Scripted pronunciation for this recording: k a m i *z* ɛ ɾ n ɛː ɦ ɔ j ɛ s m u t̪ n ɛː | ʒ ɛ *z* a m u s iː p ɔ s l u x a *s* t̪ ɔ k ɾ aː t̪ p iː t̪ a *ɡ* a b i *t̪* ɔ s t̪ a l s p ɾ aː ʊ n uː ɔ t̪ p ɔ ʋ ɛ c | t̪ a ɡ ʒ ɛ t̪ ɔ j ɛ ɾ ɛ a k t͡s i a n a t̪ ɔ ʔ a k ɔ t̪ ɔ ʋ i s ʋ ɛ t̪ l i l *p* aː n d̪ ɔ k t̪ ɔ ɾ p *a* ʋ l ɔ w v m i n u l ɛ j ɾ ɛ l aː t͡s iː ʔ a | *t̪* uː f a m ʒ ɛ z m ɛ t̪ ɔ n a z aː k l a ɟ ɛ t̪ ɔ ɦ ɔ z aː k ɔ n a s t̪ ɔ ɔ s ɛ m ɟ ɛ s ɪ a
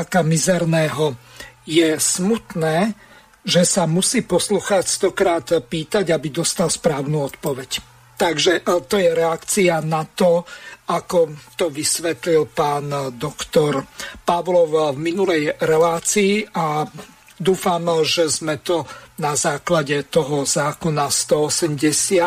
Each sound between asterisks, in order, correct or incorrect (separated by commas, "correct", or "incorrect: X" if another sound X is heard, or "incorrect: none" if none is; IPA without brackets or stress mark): correct, incorrect: s, correct, incorrect: ɟ, incorrect: d̪, correct, correct, incorrect: d̪